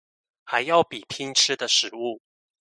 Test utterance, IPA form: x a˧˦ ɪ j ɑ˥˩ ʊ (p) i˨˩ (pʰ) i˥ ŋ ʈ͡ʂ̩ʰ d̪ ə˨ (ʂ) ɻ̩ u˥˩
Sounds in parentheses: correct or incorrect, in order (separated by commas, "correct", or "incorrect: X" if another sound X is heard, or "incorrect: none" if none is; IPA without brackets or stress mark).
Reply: correct, correct, correct